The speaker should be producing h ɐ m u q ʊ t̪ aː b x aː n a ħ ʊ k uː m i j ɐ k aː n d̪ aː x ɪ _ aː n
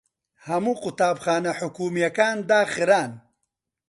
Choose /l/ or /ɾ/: ɾ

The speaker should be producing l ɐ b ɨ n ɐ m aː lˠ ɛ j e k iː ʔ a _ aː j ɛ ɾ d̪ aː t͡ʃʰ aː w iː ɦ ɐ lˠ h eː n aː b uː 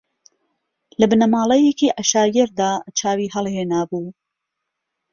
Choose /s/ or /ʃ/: ʃ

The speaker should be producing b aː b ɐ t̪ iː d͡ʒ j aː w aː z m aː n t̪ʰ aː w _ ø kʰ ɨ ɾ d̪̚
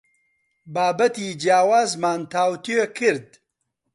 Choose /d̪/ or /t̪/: t̪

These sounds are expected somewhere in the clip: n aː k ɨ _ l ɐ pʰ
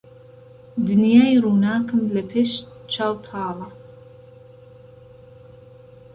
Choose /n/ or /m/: m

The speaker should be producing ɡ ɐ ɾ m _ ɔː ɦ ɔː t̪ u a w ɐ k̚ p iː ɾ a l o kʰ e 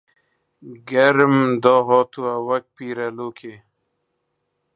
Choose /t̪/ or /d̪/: d̪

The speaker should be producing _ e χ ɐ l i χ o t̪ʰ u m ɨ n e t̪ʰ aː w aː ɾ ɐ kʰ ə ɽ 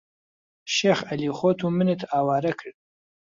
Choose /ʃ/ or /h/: ʃ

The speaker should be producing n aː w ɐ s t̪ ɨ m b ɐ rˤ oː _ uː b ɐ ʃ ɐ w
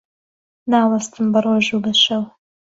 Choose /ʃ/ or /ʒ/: ʒ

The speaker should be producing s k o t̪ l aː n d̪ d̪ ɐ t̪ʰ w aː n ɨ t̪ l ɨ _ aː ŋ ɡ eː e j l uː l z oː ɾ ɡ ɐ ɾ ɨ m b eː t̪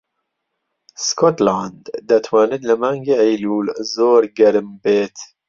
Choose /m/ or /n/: m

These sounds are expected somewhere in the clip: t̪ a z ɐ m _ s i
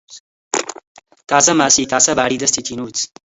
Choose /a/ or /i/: a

